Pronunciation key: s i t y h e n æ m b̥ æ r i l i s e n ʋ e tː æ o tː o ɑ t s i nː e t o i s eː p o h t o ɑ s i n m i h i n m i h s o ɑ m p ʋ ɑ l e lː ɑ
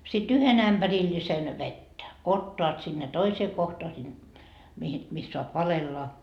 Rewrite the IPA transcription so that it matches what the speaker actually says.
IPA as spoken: s i t y h e n æ m b̥ æ r i lː i s e n ʋ e tː æ o tː o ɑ t s i nː e t o i s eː k o h t o ɑ s i n m i h i n m i s s o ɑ p ʋ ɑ l e lː ɑ